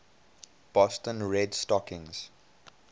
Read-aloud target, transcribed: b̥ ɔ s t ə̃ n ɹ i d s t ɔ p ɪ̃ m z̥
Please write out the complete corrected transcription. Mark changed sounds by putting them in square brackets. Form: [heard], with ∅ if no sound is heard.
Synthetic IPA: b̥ ɔ s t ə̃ n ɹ [ɛ] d s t ɔ [k] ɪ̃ [ŋ] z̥